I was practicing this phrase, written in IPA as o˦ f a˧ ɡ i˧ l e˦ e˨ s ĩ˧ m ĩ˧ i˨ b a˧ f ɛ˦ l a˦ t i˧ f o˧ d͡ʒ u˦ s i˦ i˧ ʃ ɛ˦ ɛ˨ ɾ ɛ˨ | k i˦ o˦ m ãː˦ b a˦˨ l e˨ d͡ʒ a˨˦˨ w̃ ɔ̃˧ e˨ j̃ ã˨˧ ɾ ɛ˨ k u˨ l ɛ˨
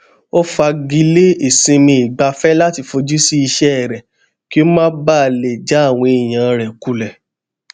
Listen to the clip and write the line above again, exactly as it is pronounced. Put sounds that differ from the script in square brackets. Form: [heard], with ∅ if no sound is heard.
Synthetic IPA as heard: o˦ f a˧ ɡ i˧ l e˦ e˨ s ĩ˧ m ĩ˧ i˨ [ɡ͡b] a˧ f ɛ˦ l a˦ t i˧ f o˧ d͡ʒ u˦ s i˦ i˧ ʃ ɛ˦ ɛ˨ ɾ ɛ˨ | k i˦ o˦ m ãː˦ b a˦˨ l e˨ d͡ʒ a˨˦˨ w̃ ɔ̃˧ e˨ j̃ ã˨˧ ɾ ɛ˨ k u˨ l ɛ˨

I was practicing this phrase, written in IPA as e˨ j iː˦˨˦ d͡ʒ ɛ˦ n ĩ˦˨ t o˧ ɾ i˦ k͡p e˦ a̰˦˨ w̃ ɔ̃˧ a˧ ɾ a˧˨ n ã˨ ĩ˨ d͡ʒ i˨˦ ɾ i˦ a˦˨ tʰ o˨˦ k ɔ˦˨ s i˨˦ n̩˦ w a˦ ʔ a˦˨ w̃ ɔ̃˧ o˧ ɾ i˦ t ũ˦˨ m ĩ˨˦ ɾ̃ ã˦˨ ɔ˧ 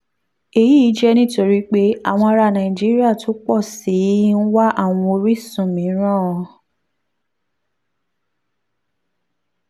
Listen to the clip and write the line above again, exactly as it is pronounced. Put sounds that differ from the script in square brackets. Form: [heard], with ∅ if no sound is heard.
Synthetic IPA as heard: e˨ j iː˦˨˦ d͡ʒ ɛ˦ n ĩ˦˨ t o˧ ɾ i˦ k͡p e˦ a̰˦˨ w̃ ɔ̃˧ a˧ ɾ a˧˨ n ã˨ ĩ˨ d͡ʒ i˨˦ ɾ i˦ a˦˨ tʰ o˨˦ [k͡p] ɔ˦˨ s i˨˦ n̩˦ w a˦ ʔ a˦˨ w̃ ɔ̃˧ o˧ ɾ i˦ [s] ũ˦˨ m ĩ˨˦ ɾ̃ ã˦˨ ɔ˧

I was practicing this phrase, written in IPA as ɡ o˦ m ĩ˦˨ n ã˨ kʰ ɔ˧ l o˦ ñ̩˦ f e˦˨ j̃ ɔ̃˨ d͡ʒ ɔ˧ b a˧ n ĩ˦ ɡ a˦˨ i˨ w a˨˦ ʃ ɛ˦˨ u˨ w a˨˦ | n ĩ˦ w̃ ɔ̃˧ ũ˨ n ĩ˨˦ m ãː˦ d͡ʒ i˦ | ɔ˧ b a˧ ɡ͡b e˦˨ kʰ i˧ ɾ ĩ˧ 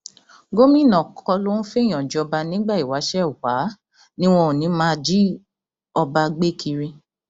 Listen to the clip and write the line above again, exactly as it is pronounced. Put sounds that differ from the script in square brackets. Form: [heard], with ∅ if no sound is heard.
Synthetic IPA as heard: ɡ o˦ m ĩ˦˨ n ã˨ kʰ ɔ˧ l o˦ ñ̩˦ f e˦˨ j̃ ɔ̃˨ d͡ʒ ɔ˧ b a˧ n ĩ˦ [ɡ͡b] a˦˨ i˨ w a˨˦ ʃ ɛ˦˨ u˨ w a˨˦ | n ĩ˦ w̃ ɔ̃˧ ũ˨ n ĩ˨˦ m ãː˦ d͡ʒ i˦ | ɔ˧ b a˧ ɡ͡b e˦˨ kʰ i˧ ɾ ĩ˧

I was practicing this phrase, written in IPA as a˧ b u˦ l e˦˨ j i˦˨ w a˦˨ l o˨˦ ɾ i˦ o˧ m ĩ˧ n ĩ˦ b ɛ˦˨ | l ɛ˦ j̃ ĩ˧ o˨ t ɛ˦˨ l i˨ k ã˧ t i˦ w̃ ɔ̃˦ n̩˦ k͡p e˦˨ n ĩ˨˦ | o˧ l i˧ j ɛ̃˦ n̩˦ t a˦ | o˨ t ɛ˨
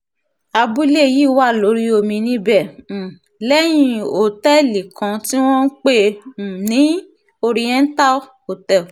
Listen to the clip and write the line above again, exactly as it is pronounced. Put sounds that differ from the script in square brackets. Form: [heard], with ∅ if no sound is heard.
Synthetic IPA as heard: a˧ b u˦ l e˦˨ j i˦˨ w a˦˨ l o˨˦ ɾ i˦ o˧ m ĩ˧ n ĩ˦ b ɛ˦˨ | l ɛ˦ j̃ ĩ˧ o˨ t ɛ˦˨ l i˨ k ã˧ t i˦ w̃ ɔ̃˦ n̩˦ k͡p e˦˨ n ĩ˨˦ | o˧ [ɾ] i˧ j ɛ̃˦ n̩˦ t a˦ | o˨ t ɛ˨

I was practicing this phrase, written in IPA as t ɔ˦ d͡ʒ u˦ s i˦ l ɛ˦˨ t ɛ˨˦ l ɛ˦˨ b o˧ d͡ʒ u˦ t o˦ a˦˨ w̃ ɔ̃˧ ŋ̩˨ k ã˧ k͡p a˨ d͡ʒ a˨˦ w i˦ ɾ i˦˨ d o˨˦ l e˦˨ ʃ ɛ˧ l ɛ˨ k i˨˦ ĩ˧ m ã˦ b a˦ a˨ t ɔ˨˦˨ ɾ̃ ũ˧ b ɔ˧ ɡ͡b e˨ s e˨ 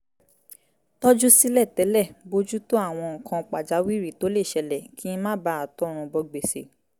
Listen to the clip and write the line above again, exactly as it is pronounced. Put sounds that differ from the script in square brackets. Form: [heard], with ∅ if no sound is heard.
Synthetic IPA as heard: t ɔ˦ d͡ʒ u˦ s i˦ l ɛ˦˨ t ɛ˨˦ l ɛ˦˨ b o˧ d͡ʒ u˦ t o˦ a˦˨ w̃ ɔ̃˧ ŋ̩˨ k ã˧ k͡p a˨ d͡ʒ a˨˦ w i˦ ɾ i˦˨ [t] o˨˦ l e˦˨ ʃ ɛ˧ l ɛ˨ k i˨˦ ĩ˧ m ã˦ b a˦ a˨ t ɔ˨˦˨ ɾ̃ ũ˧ b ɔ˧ ɡ͡b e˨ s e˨

